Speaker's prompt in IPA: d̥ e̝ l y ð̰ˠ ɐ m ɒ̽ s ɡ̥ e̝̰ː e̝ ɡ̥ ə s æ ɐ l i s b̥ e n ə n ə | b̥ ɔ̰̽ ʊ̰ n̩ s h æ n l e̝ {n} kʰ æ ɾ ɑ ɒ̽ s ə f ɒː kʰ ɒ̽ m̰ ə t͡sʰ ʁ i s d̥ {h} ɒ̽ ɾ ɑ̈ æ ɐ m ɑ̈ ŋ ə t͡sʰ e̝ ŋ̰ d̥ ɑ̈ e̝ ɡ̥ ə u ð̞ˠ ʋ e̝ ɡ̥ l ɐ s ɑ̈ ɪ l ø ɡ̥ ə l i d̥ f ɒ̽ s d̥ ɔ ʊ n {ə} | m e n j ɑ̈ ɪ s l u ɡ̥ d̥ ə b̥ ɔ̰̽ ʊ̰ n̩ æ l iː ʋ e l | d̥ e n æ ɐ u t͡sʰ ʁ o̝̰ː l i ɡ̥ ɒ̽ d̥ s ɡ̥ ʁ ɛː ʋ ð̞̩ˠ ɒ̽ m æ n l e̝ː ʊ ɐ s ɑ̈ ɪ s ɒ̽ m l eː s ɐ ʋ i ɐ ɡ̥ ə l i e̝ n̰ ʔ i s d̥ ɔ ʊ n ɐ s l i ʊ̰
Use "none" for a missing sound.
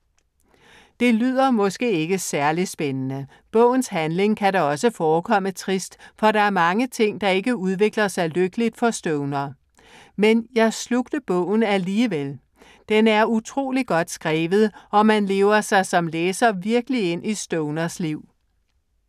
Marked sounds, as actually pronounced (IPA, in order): ŋ, f, ɐ

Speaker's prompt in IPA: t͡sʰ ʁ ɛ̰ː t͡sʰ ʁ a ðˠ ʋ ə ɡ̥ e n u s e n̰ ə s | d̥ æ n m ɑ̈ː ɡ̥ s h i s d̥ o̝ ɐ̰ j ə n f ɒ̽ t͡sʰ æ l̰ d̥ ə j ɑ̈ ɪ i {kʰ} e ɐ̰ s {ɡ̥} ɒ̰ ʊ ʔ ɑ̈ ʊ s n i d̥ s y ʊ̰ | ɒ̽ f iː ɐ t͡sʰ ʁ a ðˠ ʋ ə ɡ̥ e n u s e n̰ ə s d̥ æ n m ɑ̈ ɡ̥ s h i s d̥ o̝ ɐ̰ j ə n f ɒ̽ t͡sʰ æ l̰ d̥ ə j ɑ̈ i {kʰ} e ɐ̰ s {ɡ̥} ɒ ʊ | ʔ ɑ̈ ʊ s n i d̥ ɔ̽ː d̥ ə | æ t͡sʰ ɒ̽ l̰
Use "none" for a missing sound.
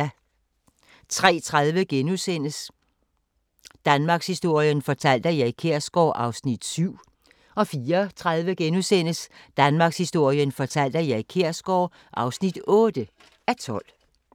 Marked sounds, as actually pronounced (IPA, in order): kʰ, ɡ̥, kʰ, ɡ̥

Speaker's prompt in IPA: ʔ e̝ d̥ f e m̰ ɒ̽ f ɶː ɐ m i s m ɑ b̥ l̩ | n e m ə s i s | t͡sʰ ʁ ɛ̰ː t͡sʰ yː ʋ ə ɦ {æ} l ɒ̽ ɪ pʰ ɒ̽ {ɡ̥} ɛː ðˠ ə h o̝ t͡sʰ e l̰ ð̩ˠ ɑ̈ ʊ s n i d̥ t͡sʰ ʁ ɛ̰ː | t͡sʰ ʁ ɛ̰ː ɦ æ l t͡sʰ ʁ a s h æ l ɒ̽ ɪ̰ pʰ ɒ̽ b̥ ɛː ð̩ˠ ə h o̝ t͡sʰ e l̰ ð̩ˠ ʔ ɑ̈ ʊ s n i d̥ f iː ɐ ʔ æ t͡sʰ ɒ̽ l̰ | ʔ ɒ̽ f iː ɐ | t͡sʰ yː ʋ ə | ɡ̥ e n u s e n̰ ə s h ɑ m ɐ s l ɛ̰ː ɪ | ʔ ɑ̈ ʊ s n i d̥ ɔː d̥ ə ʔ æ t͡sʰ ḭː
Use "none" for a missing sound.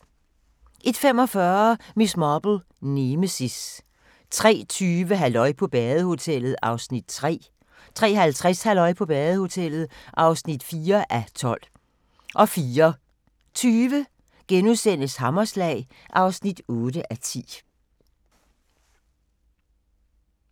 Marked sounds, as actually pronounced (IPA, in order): æ, b̥

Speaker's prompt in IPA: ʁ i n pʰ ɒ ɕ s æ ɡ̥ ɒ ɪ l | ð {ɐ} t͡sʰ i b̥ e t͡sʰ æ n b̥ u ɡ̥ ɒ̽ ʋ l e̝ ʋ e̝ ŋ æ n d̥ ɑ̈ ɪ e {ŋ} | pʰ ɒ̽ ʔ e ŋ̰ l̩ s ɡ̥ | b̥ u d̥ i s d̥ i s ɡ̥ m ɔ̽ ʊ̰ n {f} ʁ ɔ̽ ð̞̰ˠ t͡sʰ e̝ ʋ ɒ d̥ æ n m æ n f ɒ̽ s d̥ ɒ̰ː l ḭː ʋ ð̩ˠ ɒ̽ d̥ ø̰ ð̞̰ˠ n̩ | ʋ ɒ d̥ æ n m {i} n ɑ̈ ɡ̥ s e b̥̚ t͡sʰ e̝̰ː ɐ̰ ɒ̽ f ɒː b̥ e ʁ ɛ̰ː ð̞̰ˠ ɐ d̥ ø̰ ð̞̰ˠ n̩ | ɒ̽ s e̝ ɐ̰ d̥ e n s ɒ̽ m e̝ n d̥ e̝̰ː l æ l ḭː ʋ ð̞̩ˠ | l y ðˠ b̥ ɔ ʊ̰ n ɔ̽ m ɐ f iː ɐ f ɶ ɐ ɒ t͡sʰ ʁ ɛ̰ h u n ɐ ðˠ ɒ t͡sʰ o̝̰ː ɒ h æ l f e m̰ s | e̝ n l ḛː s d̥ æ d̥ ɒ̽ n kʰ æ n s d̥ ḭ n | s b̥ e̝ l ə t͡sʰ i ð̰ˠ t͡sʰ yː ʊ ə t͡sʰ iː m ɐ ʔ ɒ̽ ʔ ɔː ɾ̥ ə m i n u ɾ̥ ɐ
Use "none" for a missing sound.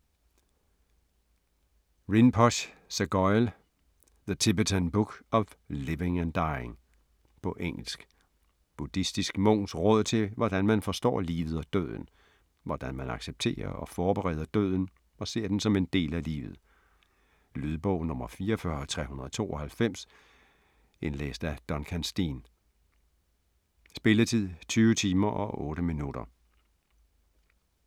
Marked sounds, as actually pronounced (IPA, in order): ə, ŋ, s, æ

